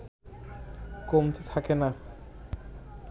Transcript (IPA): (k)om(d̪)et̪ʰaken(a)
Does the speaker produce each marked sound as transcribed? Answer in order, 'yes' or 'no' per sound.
yes, no, yes

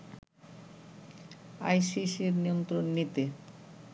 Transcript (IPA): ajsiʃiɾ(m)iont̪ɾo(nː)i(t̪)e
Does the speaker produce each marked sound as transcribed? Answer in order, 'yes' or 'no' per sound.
no, yes, yes

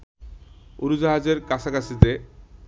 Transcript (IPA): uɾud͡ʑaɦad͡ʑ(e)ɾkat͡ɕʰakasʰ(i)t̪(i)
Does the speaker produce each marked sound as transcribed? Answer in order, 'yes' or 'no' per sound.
yes, yes, no

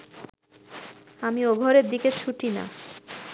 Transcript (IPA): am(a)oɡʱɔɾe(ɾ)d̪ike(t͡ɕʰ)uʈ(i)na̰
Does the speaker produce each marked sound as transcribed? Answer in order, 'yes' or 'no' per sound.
no, yes, yes, yes

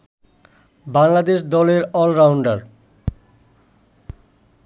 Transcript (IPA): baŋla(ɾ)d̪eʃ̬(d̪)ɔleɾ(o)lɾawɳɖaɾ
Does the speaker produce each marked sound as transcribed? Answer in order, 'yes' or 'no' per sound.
no, yes, no

